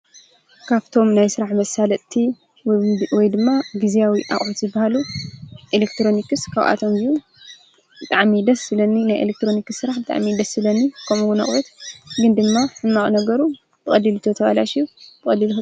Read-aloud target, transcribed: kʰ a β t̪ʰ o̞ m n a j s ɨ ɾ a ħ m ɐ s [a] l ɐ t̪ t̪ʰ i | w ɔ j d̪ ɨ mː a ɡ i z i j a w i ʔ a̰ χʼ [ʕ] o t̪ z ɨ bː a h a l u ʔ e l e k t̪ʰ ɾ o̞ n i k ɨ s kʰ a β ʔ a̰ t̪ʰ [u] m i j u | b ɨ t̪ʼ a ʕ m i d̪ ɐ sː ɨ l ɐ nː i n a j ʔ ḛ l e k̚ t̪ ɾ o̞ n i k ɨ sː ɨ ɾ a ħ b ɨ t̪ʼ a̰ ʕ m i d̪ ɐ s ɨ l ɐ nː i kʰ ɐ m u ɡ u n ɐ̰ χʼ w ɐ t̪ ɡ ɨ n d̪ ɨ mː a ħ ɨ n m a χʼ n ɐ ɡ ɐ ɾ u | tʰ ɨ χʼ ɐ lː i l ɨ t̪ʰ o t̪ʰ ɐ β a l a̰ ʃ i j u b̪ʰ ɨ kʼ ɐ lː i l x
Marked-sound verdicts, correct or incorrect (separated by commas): correct, correct, incorrect